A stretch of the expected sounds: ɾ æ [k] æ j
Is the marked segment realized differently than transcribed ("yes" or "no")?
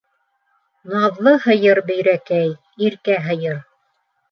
no